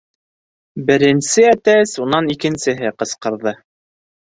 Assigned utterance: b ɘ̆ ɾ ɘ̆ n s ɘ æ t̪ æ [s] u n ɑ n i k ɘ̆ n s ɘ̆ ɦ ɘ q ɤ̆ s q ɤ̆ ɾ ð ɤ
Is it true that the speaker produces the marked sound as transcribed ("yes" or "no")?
yes